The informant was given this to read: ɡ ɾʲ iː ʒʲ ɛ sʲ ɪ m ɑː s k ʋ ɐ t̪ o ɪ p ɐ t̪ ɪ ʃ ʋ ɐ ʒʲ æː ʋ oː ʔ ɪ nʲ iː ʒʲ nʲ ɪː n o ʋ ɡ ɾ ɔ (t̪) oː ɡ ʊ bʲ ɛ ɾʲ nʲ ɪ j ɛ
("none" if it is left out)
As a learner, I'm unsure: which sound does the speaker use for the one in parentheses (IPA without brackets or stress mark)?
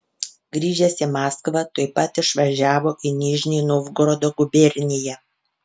d̪